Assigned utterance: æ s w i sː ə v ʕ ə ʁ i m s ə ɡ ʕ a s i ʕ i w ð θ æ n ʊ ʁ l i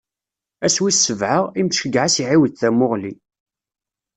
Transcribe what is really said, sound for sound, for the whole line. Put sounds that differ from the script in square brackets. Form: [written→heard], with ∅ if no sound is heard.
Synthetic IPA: æ s w i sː ə v ʕ ə ʁ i m [s→ʃ] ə ɡ ʕ a s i ʕ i w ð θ æ [n→m] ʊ ʁ l i